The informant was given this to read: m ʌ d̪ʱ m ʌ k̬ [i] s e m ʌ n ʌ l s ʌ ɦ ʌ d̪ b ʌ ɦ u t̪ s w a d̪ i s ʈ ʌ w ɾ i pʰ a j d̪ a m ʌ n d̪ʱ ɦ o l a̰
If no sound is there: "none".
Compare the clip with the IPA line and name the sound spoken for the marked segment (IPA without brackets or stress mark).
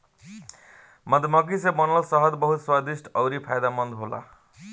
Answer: i